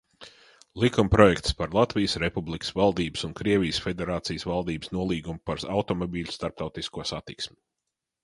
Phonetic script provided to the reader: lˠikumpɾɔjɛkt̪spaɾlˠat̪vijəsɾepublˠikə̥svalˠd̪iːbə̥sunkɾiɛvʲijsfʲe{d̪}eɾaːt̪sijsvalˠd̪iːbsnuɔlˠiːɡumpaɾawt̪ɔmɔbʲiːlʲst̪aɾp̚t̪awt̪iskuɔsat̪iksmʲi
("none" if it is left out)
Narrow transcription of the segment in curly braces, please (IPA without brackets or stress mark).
d̪